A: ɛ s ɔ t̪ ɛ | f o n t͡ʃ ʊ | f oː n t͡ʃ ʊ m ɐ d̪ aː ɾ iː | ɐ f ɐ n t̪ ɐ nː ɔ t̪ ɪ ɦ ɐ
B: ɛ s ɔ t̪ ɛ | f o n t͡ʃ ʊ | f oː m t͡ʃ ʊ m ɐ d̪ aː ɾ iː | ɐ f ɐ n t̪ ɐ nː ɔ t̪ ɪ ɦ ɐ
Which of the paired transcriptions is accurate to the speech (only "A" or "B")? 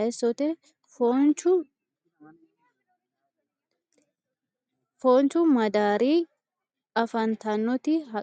A